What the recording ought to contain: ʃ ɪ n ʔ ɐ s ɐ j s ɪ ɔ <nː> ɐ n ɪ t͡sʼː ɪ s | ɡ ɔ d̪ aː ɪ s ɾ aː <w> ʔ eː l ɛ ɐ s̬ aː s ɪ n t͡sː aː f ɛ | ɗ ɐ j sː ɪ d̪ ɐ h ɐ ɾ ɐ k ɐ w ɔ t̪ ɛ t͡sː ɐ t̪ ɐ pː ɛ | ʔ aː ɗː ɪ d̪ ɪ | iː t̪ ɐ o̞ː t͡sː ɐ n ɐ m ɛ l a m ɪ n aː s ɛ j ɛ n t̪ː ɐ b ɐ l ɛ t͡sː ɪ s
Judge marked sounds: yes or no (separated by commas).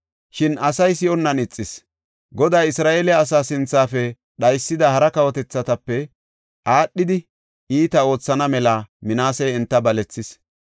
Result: yes, no